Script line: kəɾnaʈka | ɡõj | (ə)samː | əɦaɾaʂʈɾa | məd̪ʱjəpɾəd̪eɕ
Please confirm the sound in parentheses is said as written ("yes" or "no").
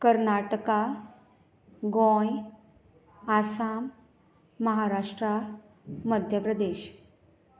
no